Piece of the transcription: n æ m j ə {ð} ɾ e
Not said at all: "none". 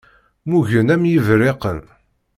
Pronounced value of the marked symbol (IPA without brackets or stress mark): v